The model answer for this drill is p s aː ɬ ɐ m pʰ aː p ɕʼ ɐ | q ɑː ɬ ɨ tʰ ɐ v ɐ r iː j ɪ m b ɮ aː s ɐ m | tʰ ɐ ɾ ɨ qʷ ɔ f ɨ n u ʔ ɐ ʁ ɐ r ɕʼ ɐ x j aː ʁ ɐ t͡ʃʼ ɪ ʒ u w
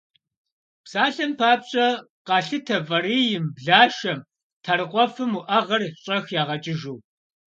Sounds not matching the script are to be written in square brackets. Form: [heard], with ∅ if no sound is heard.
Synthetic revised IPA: p s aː ɬ ɐ m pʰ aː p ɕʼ ɐ | q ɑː ɬ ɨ tʰ ɐ v ɐ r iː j ɪ m b ɮ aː [ʃ] ɐ m | tʰ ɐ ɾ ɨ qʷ ɔ f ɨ [m] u ʔ ɐ ʁ ɐ r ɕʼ ɐ x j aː ʁ ɐ t͡ʃʼ ɪ ʒ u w